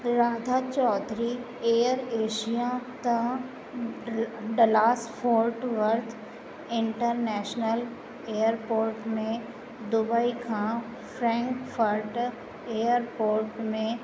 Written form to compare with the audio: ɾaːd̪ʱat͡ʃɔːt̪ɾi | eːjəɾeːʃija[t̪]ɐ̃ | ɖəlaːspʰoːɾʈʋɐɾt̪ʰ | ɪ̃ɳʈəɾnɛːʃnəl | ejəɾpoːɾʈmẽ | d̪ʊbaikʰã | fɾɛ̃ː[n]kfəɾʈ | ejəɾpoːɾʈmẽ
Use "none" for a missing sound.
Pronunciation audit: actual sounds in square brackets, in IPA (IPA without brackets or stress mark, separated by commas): t̪, ŋ